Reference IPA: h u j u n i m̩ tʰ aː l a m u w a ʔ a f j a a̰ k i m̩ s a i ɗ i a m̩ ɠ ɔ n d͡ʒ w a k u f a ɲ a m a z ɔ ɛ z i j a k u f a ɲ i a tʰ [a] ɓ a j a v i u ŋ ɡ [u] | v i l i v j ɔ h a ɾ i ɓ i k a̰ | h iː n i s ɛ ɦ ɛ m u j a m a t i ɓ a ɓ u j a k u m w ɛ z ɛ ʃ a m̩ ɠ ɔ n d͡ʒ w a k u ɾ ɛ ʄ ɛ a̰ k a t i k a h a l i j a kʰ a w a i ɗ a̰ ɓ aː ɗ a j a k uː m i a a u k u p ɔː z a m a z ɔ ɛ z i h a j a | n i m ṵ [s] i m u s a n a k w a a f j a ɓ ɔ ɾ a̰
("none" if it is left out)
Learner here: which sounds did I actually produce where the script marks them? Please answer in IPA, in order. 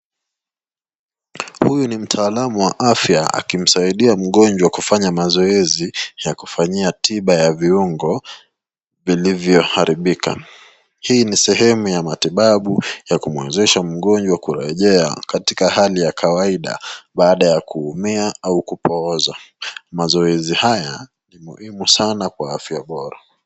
i, ɔ, h

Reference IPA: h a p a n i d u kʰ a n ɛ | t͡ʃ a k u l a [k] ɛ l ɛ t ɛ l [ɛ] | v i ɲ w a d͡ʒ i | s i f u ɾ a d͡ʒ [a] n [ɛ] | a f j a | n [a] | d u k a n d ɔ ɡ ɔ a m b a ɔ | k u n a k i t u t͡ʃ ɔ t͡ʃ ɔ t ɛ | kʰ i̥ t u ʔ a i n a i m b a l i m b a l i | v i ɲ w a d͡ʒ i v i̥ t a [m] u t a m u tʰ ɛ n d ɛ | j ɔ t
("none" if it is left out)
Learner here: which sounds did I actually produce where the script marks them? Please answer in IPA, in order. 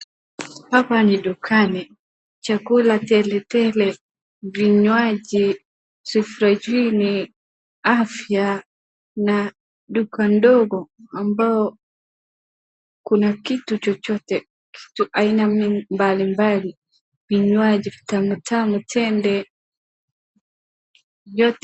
t, ɛ, i, i, a, m

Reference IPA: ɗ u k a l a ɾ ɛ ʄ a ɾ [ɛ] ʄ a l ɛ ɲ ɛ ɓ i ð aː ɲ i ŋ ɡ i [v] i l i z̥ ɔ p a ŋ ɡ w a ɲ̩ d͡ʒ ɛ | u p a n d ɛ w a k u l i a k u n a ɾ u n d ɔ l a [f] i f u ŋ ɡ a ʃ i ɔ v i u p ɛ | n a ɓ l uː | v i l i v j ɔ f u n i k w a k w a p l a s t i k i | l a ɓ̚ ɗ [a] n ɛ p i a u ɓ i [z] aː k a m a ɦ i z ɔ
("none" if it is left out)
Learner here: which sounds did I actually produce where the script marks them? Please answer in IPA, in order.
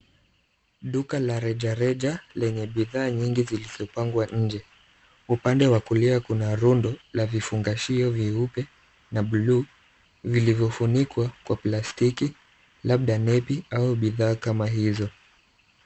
ɛ, z, v, a, ð

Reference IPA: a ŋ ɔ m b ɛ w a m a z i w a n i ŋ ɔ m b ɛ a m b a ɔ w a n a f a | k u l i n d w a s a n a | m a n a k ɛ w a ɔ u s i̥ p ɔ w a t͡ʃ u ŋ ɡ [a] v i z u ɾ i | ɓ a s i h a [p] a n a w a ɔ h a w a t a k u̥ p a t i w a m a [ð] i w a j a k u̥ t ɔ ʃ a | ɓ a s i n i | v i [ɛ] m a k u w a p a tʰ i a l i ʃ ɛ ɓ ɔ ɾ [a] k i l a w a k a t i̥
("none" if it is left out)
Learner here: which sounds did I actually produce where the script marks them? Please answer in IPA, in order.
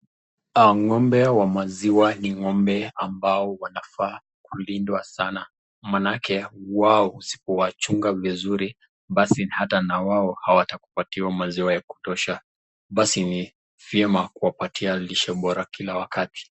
a, t, z, ɛ, a

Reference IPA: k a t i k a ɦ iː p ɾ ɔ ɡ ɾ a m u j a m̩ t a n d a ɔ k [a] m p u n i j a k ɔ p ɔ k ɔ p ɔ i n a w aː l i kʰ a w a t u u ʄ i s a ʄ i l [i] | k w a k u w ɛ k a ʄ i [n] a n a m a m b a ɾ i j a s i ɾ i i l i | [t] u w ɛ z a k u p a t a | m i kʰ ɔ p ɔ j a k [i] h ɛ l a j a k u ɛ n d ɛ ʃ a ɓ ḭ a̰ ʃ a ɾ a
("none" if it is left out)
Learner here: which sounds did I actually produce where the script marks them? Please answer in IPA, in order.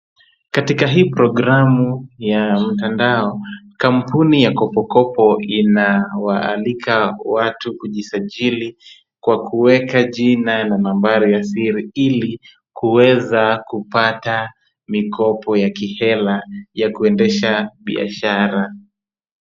a, i, n, k, i

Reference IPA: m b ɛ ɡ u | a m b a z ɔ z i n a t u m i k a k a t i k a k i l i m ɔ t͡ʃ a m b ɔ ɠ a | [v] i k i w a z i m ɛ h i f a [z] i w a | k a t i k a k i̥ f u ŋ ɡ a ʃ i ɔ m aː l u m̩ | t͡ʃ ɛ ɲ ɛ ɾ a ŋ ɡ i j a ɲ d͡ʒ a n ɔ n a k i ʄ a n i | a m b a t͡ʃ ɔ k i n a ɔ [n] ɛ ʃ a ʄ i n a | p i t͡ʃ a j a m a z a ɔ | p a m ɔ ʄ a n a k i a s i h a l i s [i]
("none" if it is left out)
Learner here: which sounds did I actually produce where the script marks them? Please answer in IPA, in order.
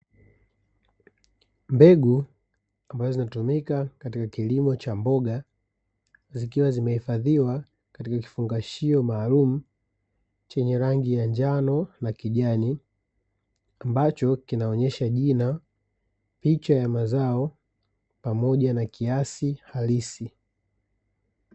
z, ð, ɲ, i

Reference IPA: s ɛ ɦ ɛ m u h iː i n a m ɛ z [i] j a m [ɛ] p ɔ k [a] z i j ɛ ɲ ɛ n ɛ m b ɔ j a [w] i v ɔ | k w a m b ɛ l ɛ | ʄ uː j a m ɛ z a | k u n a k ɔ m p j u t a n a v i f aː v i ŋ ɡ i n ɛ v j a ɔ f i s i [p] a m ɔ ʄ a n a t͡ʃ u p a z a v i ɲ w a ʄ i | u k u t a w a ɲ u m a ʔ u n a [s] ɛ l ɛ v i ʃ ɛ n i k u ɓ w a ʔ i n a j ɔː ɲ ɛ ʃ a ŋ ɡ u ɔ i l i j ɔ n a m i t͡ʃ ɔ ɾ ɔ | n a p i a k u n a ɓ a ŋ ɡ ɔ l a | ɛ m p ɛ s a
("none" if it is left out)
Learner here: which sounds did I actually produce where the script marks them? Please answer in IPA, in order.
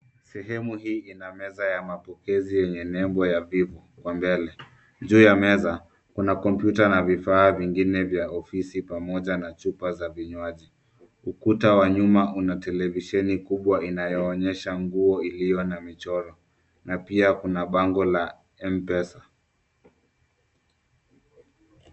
a, a, ɛ, v, p, t

